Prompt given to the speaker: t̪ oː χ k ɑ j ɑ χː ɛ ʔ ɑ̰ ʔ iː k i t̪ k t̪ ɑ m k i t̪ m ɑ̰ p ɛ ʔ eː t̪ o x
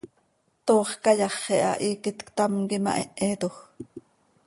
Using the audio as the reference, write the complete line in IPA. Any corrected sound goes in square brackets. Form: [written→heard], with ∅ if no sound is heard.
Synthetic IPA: t̪ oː χ k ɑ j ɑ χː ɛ ʔ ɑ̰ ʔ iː k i t̪ k t̪ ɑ m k i [t̪→∅] m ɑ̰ [p→ʔ] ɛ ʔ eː t̪ o x